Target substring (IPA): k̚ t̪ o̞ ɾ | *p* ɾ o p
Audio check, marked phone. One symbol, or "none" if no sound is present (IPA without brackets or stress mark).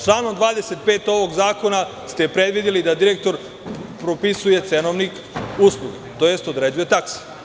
p